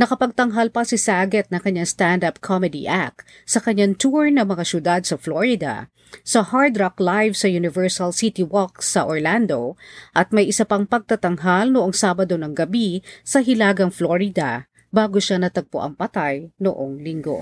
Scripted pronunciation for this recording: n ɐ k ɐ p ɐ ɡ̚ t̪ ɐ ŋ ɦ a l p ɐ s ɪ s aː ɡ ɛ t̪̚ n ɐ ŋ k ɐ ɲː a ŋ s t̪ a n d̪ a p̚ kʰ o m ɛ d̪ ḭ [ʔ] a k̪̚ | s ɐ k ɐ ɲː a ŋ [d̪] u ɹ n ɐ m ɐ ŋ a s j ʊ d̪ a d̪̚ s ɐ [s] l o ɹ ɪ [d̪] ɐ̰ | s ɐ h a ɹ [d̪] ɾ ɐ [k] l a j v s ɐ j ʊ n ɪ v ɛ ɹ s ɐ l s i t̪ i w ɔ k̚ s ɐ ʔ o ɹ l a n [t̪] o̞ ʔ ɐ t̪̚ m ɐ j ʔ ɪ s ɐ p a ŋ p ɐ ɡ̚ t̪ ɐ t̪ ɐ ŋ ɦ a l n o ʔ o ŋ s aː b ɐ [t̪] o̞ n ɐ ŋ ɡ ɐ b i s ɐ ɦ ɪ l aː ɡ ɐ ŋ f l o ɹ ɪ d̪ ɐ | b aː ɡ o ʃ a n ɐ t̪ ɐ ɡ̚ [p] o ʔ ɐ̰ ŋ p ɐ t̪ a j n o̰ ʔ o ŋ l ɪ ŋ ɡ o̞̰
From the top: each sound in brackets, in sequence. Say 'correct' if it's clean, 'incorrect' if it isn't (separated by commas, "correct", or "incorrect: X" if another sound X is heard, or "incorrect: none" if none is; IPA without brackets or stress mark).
correct, incorrect: t̪, incorrect: f, correct, correct, correct, incorrect: d̪, incorrect: d̪, correct